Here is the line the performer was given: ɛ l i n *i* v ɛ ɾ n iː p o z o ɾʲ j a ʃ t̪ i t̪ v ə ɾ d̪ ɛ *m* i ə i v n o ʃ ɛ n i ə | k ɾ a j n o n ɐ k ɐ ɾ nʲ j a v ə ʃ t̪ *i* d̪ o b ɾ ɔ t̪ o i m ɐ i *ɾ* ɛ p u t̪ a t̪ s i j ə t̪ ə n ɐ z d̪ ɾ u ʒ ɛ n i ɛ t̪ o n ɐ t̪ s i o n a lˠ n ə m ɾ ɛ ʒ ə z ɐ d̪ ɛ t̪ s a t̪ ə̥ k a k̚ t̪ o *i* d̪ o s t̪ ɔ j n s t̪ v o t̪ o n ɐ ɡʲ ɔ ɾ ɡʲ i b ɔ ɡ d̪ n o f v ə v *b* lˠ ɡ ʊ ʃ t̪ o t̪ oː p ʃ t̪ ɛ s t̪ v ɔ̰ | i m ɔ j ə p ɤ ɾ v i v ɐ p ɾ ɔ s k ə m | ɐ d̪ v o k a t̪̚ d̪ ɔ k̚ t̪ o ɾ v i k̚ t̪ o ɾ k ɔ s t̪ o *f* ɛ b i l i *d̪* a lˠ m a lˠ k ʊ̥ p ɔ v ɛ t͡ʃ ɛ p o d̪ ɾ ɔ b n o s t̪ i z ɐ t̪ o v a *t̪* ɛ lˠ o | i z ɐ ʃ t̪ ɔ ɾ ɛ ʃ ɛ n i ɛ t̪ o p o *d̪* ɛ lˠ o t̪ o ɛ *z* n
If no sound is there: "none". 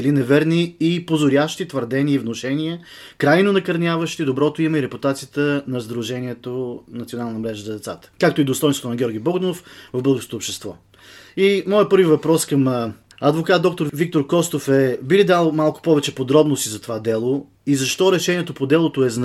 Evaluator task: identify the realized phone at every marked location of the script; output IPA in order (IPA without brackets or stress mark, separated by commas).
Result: ɛ, n, i, ɾ, i, b, f, d̪, d̪, d̪, z